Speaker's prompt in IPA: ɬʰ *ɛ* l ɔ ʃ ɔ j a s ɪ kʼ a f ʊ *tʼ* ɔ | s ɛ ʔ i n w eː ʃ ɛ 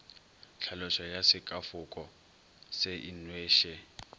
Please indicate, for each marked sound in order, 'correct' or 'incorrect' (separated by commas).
incorrect, incorrect